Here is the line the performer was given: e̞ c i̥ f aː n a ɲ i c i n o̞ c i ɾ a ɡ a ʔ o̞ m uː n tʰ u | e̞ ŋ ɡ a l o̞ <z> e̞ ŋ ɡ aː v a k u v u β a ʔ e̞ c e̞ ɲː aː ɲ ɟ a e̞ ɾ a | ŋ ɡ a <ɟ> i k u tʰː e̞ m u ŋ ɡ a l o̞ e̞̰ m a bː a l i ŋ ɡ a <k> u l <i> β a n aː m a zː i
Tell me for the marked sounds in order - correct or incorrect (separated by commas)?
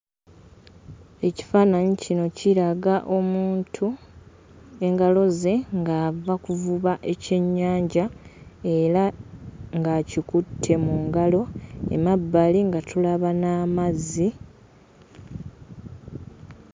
correct, incorrect, incorrect, incorrect